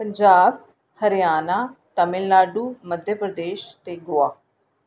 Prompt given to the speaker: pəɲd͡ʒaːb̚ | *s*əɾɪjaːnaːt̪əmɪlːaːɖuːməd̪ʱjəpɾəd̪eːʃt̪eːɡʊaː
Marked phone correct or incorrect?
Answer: incorrect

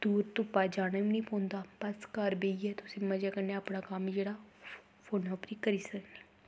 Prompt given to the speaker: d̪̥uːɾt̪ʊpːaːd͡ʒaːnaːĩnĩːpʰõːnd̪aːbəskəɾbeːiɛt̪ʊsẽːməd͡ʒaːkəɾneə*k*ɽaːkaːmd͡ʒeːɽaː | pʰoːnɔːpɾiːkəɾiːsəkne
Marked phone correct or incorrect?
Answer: incorrect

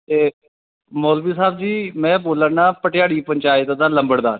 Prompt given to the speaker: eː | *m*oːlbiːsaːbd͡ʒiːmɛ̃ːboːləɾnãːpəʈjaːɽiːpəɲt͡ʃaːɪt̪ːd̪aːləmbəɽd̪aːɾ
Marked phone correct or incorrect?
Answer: correct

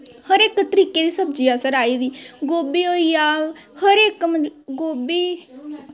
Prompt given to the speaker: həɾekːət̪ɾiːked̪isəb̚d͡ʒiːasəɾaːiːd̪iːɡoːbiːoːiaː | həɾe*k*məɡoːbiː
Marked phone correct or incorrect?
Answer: correct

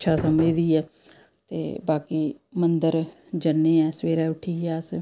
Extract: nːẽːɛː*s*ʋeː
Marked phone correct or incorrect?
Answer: correct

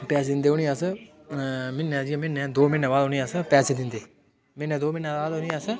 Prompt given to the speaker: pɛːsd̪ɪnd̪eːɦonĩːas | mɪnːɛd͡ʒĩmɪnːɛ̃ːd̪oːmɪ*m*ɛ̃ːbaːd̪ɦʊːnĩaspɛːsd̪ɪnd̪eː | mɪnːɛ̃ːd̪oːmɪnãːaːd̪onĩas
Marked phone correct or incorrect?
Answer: incorrect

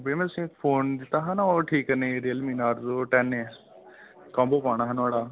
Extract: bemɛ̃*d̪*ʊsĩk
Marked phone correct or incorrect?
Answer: incorrect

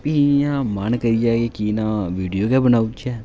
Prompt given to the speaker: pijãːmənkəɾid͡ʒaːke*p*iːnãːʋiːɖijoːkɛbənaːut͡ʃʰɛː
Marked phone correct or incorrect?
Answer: incorrect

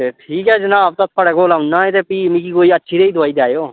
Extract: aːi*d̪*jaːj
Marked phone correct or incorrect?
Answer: correct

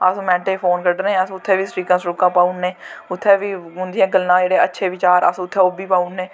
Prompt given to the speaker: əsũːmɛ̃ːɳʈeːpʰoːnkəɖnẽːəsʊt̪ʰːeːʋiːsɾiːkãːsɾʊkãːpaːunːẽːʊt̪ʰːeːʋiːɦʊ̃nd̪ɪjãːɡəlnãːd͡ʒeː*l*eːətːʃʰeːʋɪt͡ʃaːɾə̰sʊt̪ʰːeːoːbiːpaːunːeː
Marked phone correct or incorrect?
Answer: incorrect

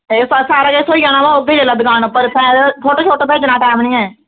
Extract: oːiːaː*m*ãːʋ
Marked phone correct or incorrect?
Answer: incorrect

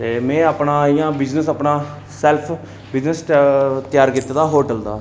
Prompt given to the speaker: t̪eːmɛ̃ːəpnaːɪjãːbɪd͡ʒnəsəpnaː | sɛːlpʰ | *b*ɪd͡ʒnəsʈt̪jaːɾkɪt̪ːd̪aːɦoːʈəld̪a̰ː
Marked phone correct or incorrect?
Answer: correct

